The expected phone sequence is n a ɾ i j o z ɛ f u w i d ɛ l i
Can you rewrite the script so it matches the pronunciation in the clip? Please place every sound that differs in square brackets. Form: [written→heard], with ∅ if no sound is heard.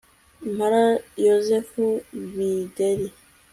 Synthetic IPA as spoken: [n→m] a ɾ [i→a] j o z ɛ f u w i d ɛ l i